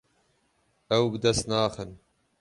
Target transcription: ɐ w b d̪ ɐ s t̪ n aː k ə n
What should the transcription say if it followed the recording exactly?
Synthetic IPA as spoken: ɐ w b d̪ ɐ s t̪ n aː x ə n